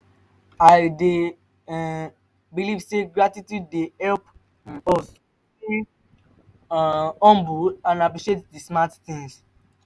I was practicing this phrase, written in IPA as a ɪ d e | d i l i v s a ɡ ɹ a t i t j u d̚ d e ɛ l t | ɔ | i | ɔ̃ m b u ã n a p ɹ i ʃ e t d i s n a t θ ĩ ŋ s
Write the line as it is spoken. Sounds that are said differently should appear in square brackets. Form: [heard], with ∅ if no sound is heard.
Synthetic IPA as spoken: a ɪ d e | [b] i l i v s [e] ɡ ɹ a t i t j u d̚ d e ɛ l [p] | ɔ | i | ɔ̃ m b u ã n a p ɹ i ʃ e t d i s [m] a t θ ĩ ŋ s